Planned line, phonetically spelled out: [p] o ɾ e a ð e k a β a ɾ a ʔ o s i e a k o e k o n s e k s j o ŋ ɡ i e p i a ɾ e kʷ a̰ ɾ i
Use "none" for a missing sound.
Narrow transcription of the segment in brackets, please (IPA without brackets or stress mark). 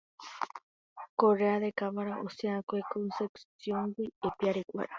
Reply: k